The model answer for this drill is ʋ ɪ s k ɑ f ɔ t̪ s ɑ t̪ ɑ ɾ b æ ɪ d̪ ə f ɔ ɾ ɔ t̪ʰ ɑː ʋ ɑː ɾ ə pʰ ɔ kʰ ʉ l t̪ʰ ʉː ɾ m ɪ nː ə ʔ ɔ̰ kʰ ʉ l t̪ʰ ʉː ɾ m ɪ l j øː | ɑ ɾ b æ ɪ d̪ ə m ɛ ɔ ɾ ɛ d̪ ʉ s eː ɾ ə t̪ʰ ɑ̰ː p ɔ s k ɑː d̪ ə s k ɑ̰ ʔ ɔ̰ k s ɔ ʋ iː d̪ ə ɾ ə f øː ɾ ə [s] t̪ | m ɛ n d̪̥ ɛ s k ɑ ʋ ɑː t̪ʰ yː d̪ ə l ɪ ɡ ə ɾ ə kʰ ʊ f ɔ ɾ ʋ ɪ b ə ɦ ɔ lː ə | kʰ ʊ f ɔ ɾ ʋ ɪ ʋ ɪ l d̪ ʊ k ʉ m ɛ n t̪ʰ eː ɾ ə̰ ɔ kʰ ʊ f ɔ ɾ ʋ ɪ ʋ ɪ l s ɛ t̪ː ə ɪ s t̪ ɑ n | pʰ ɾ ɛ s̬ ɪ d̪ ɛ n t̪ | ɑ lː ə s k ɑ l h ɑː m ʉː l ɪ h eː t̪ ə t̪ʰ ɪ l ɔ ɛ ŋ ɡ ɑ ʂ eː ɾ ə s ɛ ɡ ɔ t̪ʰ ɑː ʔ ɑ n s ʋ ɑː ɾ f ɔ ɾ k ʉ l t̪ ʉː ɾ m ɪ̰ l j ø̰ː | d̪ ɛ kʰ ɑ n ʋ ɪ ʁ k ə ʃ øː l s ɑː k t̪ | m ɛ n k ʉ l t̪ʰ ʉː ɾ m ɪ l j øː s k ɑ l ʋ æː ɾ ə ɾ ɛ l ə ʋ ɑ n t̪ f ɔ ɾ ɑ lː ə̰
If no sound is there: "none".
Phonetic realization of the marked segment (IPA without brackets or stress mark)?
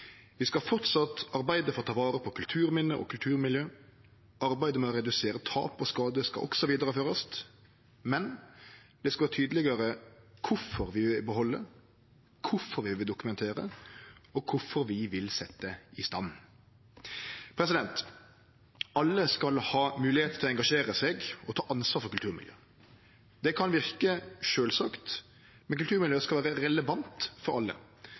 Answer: s